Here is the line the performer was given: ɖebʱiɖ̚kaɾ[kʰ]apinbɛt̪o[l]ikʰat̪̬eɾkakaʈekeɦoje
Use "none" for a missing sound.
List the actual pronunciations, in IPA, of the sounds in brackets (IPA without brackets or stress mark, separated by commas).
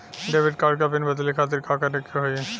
k, l